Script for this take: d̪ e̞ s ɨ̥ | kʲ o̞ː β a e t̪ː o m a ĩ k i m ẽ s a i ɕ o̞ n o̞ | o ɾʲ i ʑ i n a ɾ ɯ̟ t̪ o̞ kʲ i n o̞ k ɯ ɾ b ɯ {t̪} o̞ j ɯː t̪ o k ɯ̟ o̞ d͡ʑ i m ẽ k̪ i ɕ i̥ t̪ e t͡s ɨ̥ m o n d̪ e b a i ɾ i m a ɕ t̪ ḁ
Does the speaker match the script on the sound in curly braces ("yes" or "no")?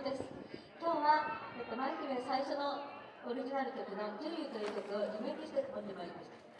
yes